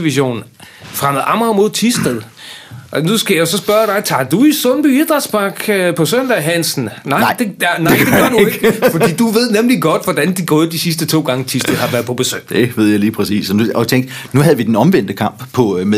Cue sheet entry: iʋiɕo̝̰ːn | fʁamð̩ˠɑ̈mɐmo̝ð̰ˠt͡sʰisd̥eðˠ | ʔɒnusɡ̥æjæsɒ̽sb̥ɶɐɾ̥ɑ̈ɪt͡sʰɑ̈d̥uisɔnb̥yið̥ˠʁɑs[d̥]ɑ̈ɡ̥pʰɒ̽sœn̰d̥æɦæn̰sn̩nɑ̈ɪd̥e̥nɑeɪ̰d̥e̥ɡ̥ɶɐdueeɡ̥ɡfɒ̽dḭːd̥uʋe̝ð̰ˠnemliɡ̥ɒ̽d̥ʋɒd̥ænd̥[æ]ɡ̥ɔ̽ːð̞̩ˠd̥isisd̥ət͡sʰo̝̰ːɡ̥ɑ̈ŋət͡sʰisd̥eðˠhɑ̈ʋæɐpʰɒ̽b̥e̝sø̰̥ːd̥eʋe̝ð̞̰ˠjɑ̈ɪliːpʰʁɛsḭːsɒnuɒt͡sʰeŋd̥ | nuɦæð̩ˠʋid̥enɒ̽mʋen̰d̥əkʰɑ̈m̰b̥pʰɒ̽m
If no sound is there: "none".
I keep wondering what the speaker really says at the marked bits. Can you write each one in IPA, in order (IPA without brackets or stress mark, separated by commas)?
b̥, i